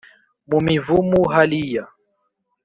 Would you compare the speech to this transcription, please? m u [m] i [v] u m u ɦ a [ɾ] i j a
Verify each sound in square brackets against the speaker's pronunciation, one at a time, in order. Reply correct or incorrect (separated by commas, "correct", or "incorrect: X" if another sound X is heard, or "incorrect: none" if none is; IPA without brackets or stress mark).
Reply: correct, correct, incorrect: l